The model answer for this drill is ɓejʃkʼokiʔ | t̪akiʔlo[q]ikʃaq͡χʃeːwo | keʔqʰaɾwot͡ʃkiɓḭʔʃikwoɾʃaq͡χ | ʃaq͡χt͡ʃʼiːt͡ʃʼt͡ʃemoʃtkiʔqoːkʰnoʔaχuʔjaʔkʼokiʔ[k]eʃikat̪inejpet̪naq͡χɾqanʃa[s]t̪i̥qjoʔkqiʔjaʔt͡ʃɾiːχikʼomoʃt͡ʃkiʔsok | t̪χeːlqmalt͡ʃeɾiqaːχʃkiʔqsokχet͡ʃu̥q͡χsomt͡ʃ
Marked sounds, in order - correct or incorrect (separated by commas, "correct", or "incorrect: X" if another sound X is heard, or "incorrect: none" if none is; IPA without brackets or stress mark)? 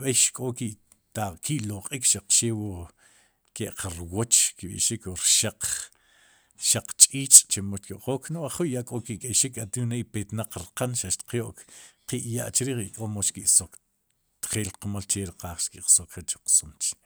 incorrect: qʼ, incorrect: kʼ, incorrect: ʃ